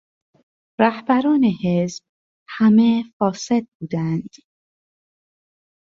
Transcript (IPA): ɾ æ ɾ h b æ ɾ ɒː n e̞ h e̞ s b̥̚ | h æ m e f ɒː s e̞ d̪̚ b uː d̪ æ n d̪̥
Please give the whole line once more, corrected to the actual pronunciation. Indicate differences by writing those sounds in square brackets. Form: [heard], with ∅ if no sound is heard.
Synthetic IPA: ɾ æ [∅] h b æ ɾ ɒː n e̞ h e̞ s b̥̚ | h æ m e f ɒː s e̞ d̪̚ b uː d̪ æ n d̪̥